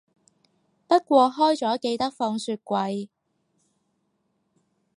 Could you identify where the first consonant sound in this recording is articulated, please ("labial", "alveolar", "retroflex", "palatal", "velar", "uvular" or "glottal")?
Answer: labial